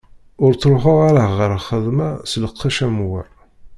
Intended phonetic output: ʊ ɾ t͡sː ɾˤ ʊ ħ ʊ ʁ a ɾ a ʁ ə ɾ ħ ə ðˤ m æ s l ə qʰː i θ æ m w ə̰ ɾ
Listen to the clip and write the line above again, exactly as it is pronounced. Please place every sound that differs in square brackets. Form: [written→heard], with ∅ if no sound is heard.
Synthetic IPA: ʊ ɾ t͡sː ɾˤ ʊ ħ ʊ ʁ a ɾ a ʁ ə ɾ [ħ→χ] ə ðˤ m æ s l ə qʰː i [θ→ʃ] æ m w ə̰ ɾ